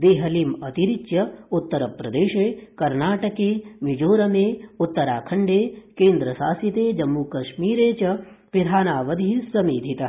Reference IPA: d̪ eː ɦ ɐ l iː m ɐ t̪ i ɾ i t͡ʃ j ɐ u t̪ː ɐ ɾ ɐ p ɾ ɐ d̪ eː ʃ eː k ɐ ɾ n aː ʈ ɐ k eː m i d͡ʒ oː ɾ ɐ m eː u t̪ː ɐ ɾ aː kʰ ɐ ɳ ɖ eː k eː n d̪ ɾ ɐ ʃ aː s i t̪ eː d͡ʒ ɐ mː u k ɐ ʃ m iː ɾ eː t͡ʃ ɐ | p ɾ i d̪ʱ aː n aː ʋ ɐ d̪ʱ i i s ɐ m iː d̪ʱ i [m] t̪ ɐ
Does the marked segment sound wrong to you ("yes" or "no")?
yes